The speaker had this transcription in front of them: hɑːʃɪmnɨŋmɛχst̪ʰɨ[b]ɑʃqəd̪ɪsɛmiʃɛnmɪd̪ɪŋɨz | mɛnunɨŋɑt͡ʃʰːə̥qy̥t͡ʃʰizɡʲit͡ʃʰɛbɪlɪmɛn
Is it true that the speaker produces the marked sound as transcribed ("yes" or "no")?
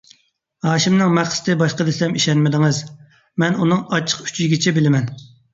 yes